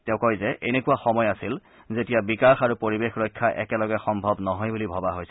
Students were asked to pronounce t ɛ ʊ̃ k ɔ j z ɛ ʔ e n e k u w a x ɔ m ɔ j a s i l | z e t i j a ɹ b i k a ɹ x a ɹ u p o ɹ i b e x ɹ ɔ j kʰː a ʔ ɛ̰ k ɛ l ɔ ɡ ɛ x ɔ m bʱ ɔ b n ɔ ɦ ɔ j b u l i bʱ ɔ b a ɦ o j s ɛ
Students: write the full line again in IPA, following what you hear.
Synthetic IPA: t ɛ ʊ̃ k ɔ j z ɛ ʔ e n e k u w a x ɔ m ɔ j a s i l | z e t i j a b i k a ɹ x a ɹ u p o ɹ i b e x ɹ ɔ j kʰː a ʔ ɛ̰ k ɛ l ɔ ɡ ɛ x ɔ m bʱ ɔ b n ɔ ɦ ɔ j b u l i bʱ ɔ b a ɦ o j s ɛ